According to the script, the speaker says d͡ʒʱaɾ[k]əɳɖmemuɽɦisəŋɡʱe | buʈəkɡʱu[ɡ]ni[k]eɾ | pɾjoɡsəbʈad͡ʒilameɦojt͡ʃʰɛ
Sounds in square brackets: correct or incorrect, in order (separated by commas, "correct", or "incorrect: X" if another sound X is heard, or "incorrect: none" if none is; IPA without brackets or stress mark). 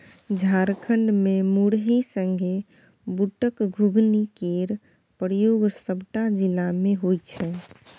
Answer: incorrect: kʰ, correct, correct